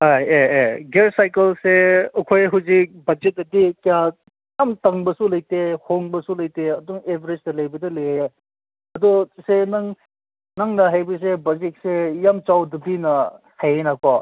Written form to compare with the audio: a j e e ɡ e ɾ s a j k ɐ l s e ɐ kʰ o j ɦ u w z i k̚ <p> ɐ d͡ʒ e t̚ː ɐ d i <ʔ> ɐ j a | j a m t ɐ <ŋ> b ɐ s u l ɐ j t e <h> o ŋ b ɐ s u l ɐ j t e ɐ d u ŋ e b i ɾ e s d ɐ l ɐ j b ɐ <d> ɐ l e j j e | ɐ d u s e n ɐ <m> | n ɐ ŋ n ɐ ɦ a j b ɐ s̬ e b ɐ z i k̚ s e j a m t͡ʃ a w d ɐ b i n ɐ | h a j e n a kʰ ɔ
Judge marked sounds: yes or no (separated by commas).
no, no, yes, yes, yes, no